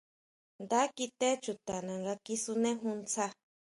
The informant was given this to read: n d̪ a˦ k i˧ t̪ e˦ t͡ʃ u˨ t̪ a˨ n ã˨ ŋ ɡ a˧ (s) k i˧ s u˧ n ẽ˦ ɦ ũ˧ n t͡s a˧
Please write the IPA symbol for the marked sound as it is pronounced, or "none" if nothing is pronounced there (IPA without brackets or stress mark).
none